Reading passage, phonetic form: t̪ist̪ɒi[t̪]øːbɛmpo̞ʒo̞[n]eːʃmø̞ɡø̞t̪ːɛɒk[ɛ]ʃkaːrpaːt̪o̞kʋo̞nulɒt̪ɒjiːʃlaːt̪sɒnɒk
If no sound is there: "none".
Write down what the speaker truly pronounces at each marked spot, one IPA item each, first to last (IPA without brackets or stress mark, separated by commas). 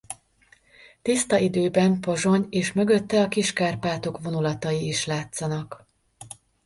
d̪, ɲ, i